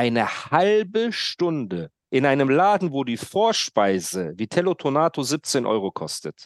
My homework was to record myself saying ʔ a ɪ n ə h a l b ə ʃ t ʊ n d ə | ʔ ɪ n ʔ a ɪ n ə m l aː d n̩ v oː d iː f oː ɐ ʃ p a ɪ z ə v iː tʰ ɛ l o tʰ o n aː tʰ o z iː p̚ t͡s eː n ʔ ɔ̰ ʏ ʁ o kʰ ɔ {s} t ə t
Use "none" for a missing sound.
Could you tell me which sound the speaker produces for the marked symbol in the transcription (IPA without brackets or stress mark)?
s